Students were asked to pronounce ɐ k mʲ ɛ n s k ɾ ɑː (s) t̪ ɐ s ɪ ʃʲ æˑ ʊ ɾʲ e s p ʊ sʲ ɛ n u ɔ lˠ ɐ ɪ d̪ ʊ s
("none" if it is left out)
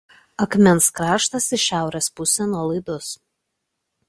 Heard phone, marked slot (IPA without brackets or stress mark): ʃ